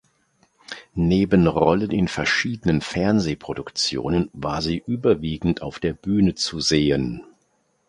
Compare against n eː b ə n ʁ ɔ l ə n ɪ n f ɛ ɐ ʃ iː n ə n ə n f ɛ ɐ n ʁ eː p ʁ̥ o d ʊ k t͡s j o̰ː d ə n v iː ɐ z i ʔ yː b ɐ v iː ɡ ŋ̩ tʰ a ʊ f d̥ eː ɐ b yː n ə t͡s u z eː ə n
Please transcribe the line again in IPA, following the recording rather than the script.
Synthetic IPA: n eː b ə n ʁ ɔ l ə n ɪ n f ɛ ɐ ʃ iː d ə n ə n f ɛ ɐ n z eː p ʁ̥ o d ʊ k t͡s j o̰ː n ə n v aː ɐ z iː ʔ yː b ɐ v iː ɡ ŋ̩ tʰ a ʊ f d̥ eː ɐ b yː n ə t͡s u z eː ə n